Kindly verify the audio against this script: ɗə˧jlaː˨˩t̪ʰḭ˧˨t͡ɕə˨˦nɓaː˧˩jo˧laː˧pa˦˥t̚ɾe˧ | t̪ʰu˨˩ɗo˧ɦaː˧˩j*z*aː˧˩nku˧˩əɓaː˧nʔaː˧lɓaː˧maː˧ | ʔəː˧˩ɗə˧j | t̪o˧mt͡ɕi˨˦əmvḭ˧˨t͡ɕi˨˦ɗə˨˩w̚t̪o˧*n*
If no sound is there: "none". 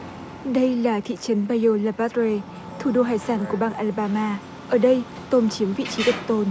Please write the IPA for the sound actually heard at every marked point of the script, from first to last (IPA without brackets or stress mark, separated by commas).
s, n